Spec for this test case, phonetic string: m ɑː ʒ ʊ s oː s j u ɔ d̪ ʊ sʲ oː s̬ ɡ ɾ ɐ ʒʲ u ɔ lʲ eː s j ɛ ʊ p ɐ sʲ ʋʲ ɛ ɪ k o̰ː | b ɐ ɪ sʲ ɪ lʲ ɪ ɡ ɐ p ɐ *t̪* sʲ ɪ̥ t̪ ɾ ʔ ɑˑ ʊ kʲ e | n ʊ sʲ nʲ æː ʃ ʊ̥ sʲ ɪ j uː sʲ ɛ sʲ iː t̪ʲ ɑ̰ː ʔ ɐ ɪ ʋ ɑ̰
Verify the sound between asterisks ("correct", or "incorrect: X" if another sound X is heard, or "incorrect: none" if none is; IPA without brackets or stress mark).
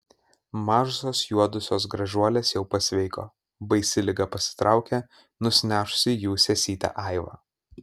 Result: incorrect: none